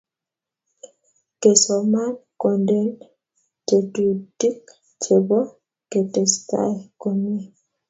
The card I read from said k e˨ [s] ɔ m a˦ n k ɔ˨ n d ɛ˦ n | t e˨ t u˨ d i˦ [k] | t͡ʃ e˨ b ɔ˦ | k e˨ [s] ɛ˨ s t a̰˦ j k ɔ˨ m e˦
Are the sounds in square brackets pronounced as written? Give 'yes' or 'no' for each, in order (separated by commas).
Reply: yes, yes, no